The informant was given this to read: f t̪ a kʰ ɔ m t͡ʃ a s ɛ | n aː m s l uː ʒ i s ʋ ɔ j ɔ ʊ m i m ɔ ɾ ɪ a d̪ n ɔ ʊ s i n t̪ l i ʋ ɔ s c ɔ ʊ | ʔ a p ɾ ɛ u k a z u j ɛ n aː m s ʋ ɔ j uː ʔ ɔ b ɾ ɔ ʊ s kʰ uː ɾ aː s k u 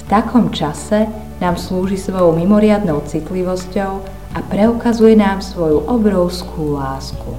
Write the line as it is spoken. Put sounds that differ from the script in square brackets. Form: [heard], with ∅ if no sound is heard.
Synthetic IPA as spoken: f t̪ a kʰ ɔ m t͡ʃ a s ɛ | n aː m s l uː ʒ i s ʋ ɔ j ɔ ʊ m i m ɔ ɾ ɪ a d̪ n ɔ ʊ [t͡s] i [∅] t̪ l i ʋ ɔ s c ɔ ʊ | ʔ a p ɾ ɛ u k a z u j ɛ n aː m s ʋ ɔ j [u] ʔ ɔ b ɾ ɔ ʊ s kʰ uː [l] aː s k u